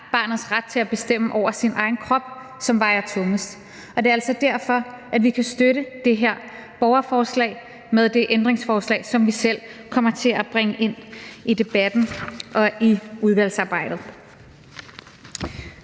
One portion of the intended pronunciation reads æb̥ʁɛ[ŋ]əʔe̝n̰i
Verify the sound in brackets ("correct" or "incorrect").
correct